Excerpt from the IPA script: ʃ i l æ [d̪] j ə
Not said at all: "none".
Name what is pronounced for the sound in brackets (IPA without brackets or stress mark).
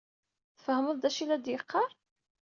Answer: d̪